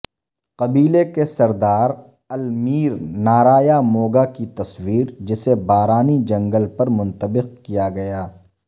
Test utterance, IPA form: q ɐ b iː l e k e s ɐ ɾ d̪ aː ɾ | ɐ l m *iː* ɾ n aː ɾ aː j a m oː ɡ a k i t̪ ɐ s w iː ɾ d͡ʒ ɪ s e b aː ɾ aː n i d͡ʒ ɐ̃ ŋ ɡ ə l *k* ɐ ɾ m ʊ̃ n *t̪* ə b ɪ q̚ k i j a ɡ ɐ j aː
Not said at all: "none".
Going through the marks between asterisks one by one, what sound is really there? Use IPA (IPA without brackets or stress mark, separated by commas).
iː, p, t̪